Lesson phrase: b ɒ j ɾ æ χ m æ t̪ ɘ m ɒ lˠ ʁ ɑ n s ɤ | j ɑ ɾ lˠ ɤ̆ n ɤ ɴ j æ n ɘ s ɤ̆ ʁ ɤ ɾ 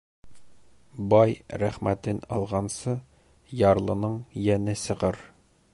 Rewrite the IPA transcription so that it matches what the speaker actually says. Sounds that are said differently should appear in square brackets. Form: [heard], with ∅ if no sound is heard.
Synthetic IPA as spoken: b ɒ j ɾ æ χ m æ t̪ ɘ [n] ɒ lˠ ʁ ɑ n s ɤ | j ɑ ɾ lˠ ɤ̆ n ɤ ɴ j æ n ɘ s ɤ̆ ʁ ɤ ɾ